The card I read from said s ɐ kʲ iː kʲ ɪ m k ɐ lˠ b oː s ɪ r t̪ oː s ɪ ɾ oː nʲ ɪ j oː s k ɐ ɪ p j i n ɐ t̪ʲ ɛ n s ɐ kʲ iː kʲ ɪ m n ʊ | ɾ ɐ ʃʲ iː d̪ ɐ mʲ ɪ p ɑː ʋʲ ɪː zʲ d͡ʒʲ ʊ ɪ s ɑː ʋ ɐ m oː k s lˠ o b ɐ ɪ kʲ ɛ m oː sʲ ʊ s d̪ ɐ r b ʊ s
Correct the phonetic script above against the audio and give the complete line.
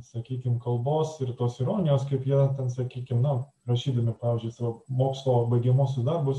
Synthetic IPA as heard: s ɐ kʲ iː kʲ ɪ m k ɐ lˠ b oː s ɪ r t̪ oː s ɪ ɾ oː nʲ ɪ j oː s k ɐ ɪ p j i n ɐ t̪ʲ ɛ n s ɐ kʲ iː kʲ ɪ m n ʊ | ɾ ɐ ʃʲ iː d̪ ɐ mʲ ɪ p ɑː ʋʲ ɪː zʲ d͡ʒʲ ʊ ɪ s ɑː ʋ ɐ m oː k s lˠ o b ɐ ɪ ɡʲ ɛ m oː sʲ ʊ s d̪ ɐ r b ʊ s

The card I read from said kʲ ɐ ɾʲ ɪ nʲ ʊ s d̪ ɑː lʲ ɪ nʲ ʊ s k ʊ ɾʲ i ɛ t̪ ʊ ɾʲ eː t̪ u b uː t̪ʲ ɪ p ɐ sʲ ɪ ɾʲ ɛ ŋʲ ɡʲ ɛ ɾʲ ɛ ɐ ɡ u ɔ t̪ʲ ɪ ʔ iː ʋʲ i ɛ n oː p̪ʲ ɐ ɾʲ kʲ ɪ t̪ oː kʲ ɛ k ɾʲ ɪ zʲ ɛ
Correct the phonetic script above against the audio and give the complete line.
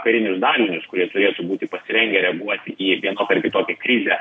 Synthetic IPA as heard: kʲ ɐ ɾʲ ɪ nʲ ʊ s d̪ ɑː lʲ ɪ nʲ ʊ s k ʊ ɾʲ i ɛ t̪ ʊ ɾʲ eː t̪ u b uː t̪ʲ ɪ p ɐ sʲ ɪ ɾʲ ɛ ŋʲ ɡʲ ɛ ɾʲ ɛ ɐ ɡ u ɔ t̪ʲ ɪ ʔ iː ʋʲ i ɛ n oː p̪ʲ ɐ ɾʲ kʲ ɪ t̪ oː kʲ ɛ k ɾʲ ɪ zʲ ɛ

